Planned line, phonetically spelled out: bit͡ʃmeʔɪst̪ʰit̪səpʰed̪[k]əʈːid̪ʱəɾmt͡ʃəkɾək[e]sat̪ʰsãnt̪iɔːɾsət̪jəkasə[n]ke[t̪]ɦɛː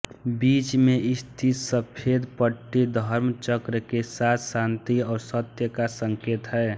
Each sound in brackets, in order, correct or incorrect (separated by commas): incorrect, correct, incorrect, correct